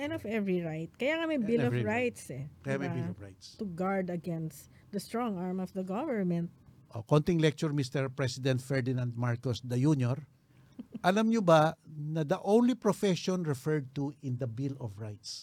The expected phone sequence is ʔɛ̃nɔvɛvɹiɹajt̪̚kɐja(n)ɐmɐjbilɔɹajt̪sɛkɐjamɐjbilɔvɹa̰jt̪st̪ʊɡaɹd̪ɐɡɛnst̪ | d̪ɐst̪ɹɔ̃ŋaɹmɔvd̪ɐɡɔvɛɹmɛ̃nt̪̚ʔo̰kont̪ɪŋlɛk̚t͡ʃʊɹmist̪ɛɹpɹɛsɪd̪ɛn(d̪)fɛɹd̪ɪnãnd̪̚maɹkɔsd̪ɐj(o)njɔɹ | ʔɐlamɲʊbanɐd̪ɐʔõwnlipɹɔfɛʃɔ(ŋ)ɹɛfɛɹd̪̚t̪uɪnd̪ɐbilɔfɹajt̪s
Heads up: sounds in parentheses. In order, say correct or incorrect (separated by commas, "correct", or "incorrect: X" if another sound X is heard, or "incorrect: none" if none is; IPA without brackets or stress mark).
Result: incorrect: ŋ, incorrect: t̪, incorrect: u, incorrect: n